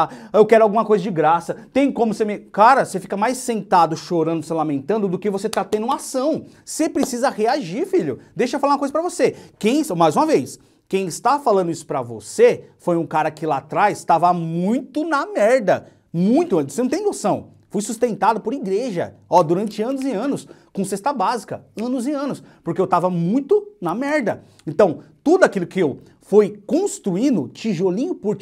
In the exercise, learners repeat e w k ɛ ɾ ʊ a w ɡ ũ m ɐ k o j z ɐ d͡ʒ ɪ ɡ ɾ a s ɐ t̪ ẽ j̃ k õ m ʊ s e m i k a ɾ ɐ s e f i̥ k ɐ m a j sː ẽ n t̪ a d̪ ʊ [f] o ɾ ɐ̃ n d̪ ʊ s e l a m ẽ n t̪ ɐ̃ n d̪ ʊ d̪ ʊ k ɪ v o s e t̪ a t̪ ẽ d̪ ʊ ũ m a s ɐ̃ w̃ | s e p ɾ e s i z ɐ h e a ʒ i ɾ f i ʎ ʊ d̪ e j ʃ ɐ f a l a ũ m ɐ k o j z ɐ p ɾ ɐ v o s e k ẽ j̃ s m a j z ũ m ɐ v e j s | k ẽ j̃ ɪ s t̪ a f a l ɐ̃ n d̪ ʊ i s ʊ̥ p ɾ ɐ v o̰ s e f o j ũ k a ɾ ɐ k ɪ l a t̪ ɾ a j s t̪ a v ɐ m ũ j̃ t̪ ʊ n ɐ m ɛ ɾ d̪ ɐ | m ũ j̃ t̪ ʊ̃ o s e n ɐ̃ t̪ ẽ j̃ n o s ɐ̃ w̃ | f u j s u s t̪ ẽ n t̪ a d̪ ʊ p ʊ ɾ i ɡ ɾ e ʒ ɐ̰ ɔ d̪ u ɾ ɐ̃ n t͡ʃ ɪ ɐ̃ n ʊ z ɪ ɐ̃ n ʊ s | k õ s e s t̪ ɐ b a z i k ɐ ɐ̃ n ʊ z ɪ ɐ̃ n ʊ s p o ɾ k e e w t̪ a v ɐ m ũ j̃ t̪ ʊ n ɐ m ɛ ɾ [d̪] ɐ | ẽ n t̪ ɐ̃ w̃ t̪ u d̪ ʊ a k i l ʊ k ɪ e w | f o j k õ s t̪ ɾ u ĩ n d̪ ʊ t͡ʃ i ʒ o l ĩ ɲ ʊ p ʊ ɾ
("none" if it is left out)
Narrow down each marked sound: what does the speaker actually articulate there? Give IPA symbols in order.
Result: ʃ, d̪

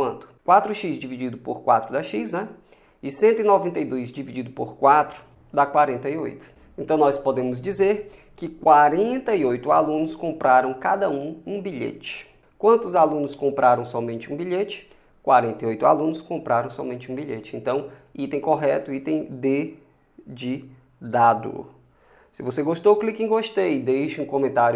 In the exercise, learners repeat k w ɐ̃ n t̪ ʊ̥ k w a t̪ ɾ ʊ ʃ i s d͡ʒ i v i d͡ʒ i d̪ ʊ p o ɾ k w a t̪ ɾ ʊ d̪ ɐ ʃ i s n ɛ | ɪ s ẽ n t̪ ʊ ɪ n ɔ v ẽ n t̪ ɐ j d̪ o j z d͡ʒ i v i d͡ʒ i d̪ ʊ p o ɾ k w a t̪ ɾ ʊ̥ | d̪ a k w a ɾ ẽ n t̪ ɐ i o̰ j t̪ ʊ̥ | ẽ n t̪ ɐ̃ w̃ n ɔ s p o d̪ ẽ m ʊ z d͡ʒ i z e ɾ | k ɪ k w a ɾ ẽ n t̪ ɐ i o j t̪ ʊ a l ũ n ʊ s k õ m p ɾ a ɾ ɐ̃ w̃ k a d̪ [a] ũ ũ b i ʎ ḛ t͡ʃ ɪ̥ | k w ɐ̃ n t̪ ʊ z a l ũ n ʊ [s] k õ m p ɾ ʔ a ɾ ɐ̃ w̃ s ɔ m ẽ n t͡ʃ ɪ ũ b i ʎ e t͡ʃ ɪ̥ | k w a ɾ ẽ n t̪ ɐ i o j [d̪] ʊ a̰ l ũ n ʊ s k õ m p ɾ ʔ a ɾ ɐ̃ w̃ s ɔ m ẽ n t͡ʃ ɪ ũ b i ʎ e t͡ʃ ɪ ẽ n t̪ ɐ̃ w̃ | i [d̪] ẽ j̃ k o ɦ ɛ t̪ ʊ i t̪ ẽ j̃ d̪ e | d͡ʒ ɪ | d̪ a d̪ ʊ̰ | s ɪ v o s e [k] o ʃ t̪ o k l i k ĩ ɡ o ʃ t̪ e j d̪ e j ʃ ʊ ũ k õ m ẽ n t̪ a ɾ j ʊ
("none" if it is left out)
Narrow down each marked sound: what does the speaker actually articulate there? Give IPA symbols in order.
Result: ɐ, s, t̪, t̪, ɡ

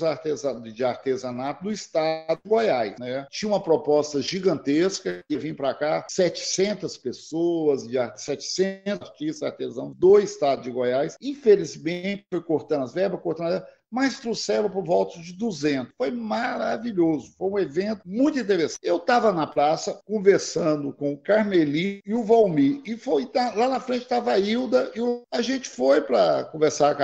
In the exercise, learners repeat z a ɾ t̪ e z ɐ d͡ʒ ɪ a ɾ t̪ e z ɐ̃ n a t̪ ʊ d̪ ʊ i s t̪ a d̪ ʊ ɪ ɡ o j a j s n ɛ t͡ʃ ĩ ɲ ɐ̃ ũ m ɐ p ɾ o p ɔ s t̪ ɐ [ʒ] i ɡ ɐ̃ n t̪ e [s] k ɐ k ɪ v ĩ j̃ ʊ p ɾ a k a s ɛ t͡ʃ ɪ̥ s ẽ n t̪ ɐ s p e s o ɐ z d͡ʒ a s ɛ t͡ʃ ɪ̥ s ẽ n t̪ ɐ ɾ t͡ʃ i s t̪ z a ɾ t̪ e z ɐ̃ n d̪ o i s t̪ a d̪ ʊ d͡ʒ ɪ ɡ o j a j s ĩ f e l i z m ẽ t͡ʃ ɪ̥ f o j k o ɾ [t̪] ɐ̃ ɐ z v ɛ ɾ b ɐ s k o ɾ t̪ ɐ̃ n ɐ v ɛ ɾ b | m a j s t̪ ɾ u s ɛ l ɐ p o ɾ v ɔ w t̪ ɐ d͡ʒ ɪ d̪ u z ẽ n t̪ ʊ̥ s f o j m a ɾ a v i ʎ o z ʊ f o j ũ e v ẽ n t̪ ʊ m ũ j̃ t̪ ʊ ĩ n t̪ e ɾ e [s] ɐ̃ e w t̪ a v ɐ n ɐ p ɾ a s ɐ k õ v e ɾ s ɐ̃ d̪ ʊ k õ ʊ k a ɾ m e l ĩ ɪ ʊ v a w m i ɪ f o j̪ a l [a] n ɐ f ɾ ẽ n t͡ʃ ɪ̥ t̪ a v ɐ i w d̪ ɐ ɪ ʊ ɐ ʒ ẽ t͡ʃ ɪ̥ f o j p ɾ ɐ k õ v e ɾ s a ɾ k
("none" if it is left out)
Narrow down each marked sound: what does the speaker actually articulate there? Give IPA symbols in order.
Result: ʒ, s, t̪, s, a

